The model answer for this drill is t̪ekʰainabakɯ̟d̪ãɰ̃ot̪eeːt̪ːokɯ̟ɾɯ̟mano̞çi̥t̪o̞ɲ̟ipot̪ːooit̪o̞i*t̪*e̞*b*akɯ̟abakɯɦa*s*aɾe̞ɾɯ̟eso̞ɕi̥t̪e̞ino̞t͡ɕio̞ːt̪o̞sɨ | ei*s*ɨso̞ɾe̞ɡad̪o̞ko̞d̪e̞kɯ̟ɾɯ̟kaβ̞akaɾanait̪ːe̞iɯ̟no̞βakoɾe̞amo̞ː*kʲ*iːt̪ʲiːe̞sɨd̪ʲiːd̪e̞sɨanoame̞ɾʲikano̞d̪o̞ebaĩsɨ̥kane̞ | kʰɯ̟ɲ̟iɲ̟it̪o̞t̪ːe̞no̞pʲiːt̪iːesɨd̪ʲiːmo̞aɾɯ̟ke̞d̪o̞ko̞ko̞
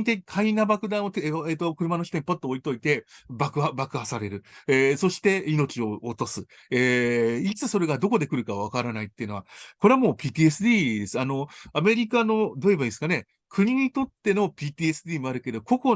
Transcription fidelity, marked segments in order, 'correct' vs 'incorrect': correct, correct, correct, incorrect, incorrect

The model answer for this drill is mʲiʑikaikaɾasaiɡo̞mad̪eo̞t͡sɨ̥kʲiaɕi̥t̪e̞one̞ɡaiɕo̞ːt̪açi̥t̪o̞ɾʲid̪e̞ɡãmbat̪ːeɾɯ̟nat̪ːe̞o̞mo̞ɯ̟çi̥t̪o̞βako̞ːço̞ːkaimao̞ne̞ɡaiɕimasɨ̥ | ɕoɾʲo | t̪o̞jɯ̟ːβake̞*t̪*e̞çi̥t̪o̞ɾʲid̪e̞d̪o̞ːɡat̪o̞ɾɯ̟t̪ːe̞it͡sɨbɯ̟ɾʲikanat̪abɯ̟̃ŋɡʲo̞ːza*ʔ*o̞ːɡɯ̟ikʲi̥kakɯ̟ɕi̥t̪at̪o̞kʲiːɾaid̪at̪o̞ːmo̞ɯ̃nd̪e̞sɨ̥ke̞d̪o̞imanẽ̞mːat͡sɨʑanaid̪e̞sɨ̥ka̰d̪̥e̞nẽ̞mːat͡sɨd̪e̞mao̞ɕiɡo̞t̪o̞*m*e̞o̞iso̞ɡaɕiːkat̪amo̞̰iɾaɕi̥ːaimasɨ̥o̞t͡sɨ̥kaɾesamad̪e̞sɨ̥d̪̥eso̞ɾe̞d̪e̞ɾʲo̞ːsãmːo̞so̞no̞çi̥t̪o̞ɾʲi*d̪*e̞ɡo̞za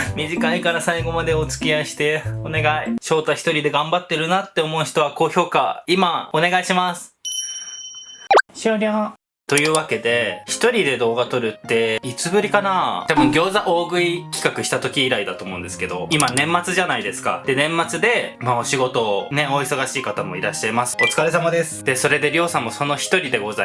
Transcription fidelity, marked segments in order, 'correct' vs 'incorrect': incorrect, correct, incorrect, correct

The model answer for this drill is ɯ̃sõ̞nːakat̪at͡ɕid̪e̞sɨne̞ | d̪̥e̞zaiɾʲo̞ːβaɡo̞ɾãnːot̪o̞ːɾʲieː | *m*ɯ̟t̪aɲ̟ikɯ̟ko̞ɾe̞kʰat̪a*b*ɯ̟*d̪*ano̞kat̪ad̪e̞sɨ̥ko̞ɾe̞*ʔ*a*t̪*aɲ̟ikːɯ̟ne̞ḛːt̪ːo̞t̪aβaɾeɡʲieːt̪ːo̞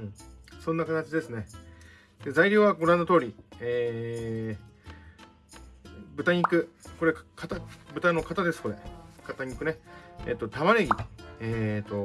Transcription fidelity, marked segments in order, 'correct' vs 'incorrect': incorrect, correct, incorrect, incorrect, correct

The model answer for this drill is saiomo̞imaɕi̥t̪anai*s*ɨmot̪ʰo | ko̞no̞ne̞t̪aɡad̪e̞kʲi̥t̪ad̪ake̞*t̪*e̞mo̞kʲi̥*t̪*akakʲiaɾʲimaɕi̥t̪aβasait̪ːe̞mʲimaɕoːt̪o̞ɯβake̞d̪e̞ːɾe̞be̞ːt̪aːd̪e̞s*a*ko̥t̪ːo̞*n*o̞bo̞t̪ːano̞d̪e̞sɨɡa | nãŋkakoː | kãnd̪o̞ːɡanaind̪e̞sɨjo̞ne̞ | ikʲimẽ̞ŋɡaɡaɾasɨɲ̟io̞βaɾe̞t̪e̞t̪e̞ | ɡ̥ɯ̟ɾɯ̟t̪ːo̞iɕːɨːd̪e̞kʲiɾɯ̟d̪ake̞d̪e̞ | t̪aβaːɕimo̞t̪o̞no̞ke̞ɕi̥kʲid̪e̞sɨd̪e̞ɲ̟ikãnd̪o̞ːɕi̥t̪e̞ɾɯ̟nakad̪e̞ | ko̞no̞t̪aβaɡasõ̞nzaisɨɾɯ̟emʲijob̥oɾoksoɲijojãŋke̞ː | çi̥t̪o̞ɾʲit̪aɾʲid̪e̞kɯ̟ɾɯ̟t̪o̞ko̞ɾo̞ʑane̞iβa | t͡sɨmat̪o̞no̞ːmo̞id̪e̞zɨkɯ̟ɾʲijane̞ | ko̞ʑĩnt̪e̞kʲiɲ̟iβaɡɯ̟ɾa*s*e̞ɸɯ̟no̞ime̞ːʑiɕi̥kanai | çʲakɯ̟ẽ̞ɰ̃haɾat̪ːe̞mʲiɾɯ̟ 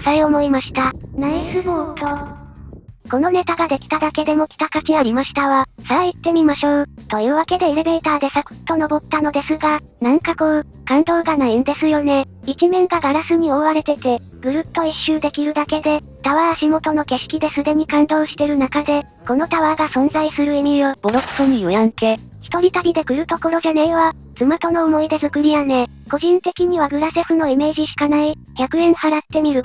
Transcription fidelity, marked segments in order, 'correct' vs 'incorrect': correct, incorrect, correct, correct, correct, correct

